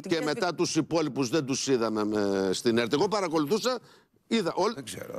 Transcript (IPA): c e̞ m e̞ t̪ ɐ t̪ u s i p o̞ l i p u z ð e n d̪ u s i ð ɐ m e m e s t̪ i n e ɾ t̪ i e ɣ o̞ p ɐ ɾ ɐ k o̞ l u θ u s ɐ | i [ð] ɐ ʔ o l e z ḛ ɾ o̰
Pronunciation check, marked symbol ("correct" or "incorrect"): correct